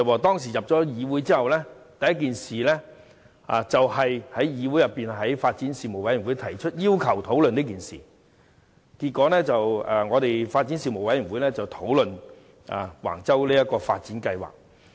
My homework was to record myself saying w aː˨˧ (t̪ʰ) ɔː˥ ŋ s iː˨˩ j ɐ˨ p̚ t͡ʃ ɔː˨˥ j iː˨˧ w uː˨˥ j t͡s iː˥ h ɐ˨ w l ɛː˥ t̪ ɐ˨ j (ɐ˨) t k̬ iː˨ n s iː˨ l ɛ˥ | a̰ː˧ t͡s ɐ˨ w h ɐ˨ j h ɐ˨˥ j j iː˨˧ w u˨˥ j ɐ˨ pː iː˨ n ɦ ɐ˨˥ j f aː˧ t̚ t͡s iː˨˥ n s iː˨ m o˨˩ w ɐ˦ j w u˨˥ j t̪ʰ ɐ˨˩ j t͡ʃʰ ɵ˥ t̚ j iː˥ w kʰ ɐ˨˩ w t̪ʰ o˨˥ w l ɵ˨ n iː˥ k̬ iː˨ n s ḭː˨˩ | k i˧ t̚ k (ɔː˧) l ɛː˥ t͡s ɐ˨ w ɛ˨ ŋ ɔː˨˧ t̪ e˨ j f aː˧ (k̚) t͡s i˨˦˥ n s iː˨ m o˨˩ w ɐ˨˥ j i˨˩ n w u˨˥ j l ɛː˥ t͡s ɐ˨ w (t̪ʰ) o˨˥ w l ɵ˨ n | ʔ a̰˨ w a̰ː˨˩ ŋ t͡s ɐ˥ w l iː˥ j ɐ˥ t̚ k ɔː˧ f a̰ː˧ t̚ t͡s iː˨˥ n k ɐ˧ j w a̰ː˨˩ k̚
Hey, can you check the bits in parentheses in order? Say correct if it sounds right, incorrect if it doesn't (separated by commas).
incorrect, incorrect, incorrect, incorrect, correct